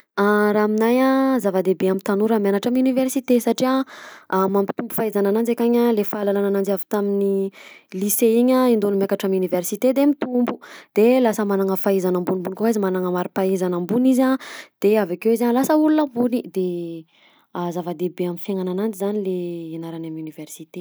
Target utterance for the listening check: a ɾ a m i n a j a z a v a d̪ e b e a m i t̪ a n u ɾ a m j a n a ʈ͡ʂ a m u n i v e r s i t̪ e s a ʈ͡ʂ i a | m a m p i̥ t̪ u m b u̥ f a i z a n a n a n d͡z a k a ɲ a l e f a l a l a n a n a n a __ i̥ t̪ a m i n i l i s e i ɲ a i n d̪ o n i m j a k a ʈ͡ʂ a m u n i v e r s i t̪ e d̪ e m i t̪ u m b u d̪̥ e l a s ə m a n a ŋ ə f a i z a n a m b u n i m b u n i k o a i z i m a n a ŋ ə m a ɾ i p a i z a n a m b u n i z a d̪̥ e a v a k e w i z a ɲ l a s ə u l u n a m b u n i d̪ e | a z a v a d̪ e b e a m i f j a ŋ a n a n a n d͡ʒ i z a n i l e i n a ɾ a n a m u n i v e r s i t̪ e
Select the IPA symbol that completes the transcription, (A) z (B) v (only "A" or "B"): B